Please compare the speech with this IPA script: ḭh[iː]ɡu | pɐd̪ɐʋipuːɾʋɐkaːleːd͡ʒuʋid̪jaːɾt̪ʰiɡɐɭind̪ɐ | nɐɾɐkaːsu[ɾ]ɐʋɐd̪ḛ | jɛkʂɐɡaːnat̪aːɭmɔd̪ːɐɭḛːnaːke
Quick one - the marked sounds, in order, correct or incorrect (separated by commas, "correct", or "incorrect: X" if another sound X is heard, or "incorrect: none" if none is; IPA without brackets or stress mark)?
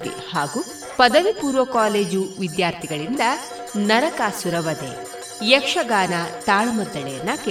incorrect: aː, correct